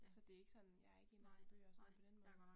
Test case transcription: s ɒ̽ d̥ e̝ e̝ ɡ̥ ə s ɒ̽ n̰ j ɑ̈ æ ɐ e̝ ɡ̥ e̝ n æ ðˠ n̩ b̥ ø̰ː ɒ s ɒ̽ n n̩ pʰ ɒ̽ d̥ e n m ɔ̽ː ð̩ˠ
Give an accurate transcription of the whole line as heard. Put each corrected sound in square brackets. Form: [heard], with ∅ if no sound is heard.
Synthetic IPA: s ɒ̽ d̥ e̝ e̝ ɡ̥ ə s ɒ̽ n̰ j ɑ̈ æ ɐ e̝ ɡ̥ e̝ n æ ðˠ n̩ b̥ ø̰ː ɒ s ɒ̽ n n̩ pʰ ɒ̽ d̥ e n m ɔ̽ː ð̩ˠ